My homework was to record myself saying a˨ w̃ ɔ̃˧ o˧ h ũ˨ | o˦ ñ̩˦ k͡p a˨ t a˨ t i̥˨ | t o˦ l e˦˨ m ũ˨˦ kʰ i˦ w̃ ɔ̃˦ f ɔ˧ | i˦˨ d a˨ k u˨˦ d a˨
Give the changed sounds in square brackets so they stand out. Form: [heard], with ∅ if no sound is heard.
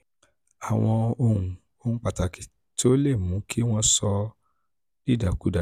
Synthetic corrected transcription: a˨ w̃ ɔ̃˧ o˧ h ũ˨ | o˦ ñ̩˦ k͡p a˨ t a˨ [k] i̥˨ | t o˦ l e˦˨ m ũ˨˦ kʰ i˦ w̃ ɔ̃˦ [s] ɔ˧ | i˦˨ d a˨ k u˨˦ d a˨